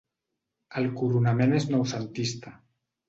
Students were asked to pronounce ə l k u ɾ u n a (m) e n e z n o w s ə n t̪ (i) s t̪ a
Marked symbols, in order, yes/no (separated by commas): yes, yes